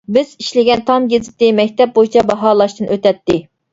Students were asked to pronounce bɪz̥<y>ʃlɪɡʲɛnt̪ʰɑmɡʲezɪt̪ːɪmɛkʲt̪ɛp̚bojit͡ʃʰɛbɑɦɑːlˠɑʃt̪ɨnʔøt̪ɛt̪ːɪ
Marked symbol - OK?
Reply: no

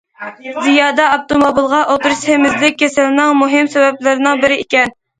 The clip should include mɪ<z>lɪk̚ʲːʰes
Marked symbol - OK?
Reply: yes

